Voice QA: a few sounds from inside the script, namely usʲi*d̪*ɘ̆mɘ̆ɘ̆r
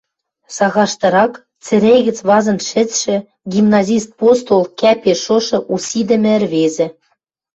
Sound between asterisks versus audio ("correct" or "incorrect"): correct